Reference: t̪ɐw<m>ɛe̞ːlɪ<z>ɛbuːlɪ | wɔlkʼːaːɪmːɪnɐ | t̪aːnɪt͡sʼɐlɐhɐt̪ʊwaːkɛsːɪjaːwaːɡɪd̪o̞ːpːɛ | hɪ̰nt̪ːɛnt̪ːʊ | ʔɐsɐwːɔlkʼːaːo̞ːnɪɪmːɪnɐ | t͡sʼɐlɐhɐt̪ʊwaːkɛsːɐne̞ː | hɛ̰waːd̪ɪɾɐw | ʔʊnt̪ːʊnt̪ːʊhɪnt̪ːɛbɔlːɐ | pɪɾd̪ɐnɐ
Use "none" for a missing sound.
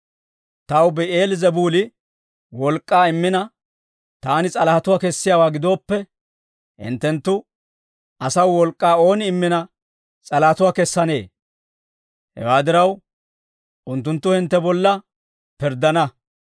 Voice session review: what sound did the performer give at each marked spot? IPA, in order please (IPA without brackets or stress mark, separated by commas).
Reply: b, z